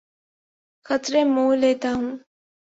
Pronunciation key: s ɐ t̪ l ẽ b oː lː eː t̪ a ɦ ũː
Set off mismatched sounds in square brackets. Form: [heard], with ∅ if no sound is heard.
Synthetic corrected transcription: [x] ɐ t̪ [ɾ] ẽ [m] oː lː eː t̪ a ɦ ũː